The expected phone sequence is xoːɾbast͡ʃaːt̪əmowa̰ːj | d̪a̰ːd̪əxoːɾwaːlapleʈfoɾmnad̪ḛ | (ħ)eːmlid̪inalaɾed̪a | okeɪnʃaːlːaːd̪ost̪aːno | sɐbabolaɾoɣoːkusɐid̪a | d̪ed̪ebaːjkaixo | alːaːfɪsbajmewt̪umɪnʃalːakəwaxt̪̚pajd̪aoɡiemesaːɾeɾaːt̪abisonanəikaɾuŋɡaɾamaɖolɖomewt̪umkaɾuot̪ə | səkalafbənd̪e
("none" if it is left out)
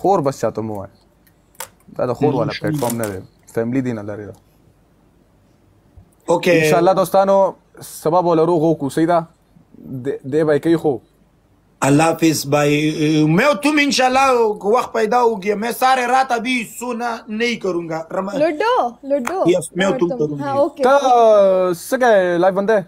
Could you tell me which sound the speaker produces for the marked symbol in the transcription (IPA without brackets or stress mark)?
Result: f